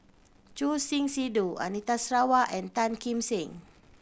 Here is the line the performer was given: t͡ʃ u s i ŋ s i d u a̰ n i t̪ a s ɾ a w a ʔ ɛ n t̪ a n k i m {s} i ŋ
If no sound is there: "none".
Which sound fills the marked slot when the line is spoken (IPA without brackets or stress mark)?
s